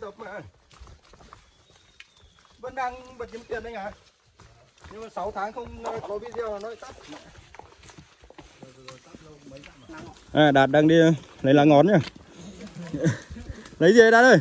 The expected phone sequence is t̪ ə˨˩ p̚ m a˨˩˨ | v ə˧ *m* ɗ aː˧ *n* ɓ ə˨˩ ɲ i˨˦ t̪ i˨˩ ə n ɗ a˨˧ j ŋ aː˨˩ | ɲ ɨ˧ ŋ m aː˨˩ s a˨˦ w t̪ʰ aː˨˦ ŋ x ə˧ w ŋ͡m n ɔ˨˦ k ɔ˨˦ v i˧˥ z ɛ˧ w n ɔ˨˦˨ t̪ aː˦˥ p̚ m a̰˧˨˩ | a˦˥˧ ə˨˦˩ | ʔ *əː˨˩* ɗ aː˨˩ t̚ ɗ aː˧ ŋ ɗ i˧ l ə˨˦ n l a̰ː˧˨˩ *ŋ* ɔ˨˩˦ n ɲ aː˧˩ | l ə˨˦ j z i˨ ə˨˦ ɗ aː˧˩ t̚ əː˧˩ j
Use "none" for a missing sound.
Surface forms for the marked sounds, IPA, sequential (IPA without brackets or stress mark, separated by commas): n, ŋ, aː˨˩, ŋ